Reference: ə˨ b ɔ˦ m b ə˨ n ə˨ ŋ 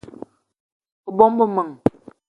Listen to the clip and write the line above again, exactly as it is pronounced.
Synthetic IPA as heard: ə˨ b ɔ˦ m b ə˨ m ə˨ ŋ